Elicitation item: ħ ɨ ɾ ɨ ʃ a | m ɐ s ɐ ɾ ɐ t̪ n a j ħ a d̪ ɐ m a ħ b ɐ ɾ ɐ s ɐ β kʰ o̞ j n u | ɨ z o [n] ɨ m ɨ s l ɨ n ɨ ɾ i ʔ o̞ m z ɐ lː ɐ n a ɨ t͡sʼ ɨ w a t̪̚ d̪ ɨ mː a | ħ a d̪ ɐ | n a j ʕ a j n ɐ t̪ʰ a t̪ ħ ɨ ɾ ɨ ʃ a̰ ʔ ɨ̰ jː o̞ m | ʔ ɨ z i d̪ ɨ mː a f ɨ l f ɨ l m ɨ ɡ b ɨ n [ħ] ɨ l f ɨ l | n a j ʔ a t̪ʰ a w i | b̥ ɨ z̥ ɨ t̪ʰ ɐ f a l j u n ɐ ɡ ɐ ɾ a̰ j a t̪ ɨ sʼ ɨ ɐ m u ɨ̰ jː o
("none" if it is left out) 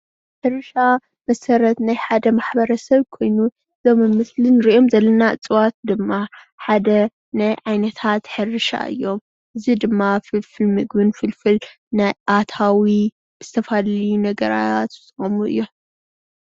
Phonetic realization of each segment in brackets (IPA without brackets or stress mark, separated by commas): m, f